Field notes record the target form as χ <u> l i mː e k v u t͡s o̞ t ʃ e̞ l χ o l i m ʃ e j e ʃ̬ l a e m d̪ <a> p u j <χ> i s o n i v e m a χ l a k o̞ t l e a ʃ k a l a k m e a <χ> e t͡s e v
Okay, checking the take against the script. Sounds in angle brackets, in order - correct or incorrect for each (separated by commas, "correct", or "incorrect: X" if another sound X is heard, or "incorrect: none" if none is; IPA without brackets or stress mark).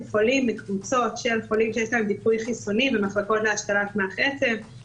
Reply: incorrect: o, incorrect: i, correct, correct